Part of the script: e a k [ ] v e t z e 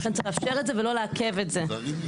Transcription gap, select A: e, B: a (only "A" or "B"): A